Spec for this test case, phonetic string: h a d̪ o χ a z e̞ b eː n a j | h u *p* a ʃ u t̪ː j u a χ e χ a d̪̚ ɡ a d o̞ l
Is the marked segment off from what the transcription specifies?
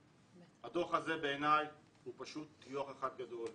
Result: no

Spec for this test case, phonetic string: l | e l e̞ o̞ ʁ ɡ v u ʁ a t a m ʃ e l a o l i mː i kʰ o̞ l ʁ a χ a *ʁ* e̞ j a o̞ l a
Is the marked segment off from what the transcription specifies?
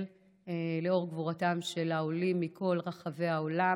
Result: yes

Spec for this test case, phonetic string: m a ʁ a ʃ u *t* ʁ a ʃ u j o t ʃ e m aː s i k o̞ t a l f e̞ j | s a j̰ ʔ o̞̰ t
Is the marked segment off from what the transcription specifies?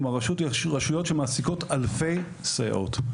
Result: no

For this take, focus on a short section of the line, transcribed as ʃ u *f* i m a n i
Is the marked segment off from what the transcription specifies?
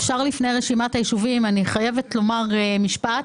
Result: yes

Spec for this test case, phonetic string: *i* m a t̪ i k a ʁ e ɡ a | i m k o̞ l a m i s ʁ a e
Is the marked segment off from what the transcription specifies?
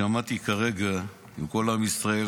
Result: yes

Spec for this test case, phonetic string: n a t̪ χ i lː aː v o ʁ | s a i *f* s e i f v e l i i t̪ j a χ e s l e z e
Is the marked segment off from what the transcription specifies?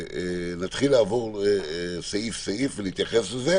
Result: no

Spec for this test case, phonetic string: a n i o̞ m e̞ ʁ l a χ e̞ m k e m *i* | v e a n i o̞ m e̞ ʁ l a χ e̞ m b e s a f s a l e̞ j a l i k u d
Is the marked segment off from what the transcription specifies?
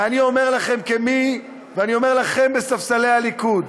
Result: no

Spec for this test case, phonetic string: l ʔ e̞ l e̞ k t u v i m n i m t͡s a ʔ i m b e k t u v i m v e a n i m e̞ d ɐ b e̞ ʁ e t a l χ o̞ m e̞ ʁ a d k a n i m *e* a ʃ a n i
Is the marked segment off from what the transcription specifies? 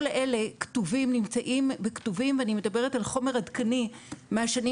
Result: no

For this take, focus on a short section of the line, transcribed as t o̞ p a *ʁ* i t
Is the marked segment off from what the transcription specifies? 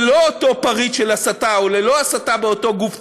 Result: no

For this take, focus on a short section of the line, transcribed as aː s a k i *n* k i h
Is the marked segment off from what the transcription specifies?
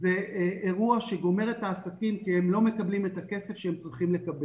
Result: yes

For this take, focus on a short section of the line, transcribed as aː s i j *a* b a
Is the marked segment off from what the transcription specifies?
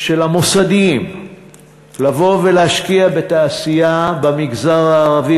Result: no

